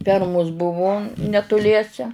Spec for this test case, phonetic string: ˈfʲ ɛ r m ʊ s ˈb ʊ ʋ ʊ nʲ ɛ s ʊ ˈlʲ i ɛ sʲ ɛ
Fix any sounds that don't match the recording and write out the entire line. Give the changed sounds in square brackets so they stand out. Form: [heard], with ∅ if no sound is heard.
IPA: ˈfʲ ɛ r m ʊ s ˈb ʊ ʋ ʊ nʲ ɛ [t] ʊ ˈlʲ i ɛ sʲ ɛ